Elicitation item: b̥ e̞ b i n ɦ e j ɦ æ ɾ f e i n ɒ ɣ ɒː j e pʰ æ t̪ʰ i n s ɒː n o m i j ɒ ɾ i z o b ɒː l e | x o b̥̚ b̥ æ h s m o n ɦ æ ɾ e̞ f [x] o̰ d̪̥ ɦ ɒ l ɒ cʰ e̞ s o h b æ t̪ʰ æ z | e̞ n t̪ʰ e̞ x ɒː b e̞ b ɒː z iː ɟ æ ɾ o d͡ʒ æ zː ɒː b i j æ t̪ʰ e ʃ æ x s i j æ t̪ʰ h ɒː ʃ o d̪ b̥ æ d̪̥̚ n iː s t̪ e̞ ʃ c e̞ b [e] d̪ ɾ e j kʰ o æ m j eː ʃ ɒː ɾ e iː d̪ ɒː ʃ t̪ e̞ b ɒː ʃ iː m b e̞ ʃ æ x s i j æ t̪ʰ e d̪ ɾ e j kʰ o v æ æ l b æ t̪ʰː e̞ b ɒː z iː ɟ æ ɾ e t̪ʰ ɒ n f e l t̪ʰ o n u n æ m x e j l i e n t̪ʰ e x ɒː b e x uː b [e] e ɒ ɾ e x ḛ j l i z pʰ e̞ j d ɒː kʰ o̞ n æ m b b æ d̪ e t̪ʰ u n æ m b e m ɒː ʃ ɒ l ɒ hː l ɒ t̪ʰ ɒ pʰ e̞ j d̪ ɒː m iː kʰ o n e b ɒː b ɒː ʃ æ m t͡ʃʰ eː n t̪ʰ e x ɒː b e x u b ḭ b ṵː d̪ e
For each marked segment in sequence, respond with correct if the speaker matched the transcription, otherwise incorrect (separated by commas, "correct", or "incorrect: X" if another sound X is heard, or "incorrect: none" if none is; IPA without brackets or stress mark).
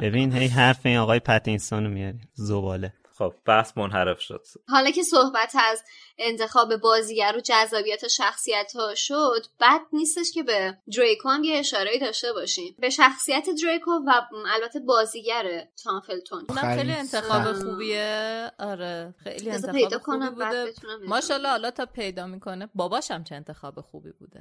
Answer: incorrect: ʃ, correct, incorrect: i